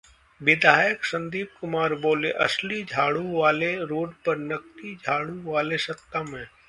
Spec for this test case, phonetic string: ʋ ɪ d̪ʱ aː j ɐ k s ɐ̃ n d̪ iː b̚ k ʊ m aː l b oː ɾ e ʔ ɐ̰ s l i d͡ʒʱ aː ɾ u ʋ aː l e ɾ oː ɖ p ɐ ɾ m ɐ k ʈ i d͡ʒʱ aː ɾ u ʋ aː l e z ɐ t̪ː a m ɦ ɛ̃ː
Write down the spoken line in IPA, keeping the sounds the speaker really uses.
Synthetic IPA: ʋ ɪ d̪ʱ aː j ə k s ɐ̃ n d̪ iː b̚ k ʊ m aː ɾ b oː l e ʔ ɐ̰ s l i d͡ʒʱ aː ɽ u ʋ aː l e ɾ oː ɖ p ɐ ɾ n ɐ k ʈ i d͡ʒʱ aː ɽ u ʋ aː l e s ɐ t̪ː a m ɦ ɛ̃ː